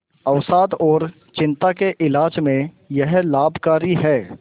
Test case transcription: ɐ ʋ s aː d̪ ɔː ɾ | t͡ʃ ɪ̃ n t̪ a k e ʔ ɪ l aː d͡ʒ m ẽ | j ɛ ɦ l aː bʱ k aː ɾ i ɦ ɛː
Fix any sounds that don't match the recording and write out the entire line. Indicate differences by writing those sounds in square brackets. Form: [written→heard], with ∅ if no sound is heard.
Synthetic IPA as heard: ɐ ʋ s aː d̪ ɔː ɾ | t͡ʃ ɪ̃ n t̪ a k e ʔ ɪ l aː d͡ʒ m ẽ | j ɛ ɦ l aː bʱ k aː ɾ i ɦ ɛː

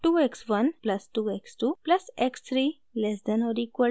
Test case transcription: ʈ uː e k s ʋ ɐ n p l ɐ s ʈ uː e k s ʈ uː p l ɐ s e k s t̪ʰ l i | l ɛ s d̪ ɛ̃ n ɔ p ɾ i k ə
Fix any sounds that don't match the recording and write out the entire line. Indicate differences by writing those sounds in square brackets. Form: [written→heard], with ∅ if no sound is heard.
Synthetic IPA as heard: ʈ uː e k s ʋ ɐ n p l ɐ s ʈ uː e k s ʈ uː p l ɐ s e k s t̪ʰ [l→ɾ] i | l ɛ s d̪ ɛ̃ n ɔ [p→∅] ɾ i k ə

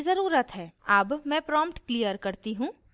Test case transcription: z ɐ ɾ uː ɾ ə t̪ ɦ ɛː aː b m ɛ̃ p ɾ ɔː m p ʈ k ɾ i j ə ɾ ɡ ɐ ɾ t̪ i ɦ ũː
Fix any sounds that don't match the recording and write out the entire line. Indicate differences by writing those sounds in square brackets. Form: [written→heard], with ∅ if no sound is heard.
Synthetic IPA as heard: z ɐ ɾ uː ɾ ə t̪ ɦ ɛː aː b m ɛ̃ p ɾ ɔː m p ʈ k [ɾ→l] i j ə ɾ [ɡ→k] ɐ ɾ t̪ i ɦ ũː

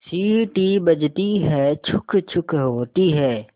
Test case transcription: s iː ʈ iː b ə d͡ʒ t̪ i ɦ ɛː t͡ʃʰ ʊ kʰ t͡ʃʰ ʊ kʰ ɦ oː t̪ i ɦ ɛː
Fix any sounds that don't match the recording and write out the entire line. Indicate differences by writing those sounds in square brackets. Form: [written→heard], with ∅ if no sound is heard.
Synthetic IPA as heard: s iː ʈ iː b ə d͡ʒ t̪ i ɦ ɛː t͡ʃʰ ʊ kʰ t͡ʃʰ ʊ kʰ ɦ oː t̪ i ɦ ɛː

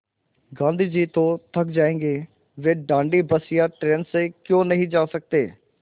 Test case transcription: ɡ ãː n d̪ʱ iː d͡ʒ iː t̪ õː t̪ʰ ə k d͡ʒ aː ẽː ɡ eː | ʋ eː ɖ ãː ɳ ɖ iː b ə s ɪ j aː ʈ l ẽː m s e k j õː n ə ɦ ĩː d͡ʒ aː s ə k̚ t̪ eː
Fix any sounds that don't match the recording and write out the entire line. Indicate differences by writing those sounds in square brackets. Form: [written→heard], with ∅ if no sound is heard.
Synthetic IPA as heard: ɡ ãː n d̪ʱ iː d͡ʒ iː t̪ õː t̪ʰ ə k d͡ʒ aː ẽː ɡ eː | ʋ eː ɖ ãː ɳ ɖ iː b ə s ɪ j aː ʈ [l→ɾ] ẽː [m→n] s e k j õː n ə ɦ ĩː d͡ʒ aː s ə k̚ t̪ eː

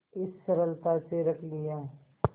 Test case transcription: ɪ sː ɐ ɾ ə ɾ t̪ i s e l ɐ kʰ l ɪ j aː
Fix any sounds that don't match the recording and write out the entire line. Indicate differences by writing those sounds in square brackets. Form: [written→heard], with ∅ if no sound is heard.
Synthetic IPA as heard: ɪ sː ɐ ɾ ə [ɾ→l] t̪ [i→a] s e [l→ɾ] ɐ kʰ l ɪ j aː

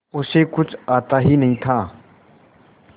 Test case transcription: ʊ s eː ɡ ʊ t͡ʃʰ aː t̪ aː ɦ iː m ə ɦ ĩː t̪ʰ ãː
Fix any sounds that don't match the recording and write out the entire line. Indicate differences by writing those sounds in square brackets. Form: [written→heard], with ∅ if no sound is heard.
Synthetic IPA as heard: ʊ s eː [ɡ→k] ʊ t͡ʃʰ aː t̪ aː ɦ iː [m→n] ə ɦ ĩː t̪ʰ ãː

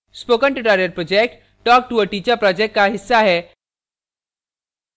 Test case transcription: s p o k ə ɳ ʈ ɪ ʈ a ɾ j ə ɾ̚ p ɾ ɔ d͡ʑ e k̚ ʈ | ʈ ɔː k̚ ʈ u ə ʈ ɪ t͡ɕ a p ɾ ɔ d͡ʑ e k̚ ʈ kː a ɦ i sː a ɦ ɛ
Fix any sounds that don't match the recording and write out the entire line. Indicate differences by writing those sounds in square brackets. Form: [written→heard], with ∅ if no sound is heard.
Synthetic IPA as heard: s p o k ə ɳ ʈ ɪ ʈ a ɾ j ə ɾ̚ p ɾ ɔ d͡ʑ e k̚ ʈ | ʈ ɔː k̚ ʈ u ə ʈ [ɪ→i] t͡ɕ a p ɾ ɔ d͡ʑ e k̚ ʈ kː a ɦ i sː a ɦ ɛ

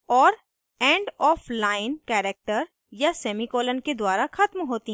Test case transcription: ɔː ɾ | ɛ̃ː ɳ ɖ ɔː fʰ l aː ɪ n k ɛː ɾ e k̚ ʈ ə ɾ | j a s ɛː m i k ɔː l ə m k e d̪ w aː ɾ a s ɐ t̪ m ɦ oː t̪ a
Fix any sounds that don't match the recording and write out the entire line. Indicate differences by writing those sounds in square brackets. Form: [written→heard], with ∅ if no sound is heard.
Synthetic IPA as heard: ɔː ɾ | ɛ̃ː ɳ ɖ ɔː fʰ l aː ɪ n k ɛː ɾ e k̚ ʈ ə ɾ | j a s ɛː m i k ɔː l ə [m→n] k e d̪ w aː ɾ a [s→x] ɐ t̪ m ɦ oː t̪ [a→i]

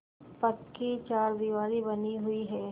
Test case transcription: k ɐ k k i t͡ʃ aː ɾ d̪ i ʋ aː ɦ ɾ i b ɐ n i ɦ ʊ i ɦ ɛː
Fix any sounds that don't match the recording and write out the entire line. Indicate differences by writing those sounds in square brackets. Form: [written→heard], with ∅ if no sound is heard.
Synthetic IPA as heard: [k→p] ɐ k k i t͡ʃ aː ɾ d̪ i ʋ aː [ɦ→∅] ɾ i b ɐ n i ɦ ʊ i ɦ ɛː

